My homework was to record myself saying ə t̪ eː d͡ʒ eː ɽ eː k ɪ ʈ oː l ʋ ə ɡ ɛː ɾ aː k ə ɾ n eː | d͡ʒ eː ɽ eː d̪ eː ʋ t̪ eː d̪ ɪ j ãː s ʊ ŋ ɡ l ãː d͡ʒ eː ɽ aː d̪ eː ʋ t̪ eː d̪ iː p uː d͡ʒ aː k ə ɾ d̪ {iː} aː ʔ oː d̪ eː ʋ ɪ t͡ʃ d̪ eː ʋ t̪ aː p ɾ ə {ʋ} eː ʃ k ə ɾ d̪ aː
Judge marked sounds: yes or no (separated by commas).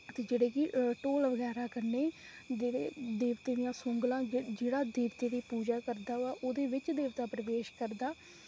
no, yes